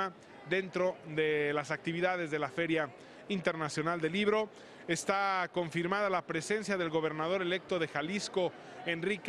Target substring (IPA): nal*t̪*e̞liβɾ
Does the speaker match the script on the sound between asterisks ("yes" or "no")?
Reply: no